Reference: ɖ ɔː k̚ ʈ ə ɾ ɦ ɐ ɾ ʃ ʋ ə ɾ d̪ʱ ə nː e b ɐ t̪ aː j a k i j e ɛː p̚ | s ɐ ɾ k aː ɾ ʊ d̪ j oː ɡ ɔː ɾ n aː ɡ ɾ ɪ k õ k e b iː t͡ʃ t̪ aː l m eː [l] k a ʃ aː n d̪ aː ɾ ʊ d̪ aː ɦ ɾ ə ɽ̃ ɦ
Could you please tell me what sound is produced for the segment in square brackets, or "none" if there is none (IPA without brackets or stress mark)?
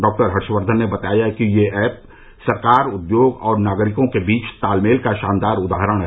l